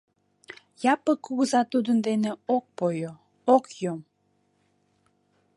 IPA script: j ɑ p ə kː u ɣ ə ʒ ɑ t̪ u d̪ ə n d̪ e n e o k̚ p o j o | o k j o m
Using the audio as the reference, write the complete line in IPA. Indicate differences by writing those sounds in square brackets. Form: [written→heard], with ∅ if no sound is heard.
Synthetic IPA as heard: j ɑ p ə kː u ɣ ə [ʒ→z] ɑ t̪ u d̪ ə n d̪ e n e o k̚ p o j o | o k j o m